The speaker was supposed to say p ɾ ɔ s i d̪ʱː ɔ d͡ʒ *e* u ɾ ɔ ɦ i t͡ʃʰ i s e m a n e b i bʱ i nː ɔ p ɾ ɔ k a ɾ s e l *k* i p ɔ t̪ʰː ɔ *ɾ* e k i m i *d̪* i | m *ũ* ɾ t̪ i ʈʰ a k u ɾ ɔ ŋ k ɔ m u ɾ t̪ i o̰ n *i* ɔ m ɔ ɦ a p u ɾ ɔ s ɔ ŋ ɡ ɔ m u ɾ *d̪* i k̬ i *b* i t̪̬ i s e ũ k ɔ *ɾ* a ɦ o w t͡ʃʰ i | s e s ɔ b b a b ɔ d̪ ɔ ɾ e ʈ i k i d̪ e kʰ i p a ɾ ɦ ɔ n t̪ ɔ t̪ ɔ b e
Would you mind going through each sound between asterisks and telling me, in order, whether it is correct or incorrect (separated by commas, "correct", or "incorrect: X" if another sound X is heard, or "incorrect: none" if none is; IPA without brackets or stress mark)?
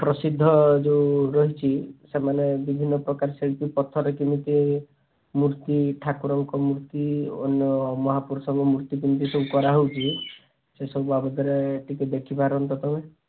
correct, incorrect: p, correct, incorrect: t̪, incorrect: u, incorrect: j, incorrect: t̪, incorrect: m, correct